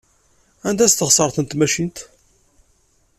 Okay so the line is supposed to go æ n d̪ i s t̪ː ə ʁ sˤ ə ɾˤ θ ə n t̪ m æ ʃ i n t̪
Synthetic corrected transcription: æ n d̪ æ s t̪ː ə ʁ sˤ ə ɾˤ θ ə n t̪ m æ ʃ i n t̪